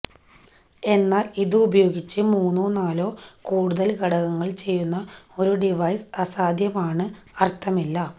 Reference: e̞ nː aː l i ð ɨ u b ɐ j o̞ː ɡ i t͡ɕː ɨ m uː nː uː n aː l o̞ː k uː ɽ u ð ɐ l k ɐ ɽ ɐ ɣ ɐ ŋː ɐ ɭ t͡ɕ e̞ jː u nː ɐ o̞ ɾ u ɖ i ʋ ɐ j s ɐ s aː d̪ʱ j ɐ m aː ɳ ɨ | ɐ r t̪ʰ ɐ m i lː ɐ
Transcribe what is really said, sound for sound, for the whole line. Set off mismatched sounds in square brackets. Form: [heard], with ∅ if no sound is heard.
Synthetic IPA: e̞ nː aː l i ð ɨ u b ɐ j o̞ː ɡ i t͡ɕː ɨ m uː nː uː n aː l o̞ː k uː ɽ u ð ɐ l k ɐ ɽ ɐ ɣ ɐ ŋː ɐ ɭ t͡ɕ e̞ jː u nː ɐ o̞ ɾ u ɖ i ʋ ɐ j s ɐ s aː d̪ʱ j ɐ m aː ɳ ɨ | ɐ r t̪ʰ ɐ m i lː ɐ